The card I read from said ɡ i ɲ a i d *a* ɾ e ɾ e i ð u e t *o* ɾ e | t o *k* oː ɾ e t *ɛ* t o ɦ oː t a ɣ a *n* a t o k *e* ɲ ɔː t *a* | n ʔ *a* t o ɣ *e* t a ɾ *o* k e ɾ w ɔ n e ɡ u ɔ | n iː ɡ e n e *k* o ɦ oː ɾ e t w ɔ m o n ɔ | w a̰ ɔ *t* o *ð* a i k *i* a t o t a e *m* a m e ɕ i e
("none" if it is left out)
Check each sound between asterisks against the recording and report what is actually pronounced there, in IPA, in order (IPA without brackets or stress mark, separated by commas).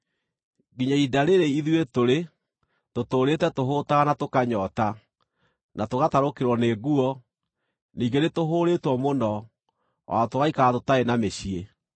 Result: a, o, t, ɛ, n, a, a, a, a, o, t, t, ɣ, a, n